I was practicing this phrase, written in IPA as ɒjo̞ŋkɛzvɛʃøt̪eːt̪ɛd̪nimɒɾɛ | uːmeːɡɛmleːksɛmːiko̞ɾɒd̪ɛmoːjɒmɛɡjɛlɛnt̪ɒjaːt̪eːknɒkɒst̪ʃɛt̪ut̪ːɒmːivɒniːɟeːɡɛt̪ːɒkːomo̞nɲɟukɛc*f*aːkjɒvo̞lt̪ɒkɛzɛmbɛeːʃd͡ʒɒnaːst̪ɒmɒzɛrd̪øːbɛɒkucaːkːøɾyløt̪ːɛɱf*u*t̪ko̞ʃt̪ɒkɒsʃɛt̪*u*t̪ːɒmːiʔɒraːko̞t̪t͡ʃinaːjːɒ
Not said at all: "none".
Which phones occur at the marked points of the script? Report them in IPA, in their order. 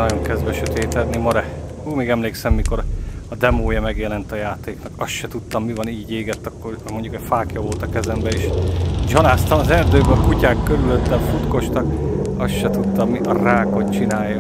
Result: f, u, u

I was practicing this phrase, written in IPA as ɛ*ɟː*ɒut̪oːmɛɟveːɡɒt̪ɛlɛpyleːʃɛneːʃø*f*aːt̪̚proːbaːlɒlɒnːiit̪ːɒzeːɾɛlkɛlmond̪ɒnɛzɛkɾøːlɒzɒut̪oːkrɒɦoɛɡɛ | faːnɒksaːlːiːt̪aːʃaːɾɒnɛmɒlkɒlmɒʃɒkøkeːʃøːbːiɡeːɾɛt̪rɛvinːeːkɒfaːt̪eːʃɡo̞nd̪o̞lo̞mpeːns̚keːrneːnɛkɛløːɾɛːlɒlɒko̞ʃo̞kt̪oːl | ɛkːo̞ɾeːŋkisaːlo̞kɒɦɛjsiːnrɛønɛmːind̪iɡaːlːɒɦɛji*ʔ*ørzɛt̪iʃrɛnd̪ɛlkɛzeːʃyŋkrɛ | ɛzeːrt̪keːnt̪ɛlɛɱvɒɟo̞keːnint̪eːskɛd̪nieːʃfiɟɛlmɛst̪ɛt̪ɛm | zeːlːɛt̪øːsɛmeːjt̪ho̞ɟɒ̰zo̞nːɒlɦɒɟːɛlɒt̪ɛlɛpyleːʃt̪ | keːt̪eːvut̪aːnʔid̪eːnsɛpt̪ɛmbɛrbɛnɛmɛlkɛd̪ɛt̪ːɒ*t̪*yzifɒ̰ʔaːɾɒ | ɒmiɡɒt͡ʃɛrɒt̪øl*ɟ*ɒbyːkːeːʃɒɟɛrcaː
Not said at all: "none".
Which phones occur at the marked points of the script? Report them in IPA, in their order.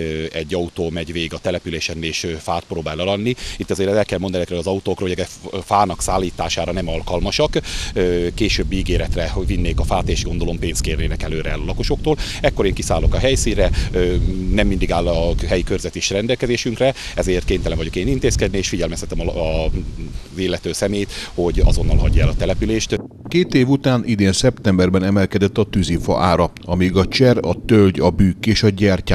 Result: ɟː, f, k, t̪, ɟ

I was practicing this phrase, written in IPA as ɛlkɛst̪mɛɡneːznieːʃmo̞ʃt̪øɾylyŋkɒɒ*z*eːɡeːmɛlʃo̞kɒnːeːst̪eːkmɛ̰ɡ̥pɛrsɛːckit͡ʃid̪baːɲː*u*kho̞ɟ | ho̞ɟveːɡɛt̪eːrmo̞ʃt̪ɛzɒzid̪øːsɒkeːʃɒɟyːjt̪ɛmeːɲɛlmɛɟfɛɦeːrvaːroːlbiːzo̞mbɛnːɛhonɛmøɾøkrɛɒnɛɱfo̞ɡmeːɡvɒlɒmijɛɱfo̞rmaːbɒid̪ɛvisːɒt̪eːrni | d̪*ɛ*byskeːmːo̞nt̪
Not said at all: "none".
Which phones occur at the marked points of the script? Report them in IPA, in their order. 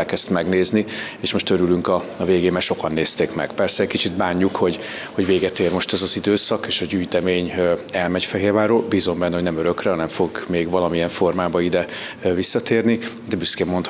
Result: v, u, ɛ

